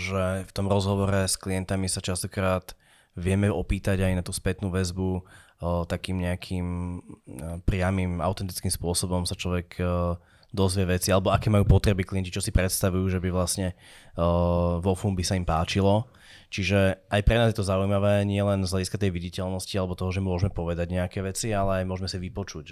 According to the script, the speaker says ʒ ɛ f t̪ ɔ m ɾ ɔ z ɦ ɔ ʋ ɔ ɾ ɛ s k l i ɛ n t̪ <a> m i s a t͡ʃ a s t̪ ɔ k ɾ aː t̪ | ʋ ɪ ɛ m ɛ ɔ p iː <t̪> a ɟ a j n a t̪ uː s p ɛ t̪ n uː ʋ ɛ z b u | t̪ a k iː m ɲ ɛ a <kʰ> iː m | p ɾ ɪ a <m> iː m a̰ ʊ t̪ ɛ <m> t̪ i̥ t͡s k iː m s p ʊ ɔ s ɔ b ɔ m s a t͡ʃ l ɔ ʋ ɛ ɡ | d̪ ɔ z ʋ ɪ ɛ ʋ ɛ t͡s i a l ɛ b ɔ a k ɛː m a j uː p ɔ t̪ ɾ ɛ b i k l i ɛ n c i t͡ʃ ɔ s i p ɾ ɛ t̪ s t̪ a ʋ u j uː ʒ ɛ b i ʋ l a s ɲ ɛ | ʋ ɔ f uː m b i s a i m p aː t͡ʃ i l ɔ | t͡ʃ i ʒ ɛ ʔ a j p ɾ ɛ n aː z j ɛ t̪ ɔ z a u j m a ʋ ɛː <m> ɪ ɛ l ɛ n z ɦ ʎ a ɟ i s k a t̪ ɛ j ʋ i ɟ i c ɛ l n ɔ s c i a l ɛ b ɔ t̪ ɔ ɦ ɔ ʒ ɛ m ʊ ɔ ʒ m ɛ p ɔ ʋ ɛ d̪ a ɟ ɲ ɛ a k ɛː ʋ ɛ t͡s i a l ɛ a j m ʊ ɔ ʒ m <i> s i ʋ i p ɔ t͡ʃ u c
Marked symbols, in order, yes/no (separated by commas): yes, yes, yes, yes, no, no, no